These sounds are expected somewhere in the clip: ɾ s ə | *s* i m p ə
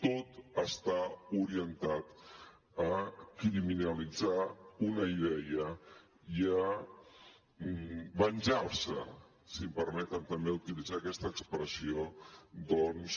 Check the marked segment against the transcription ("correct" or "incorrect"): correct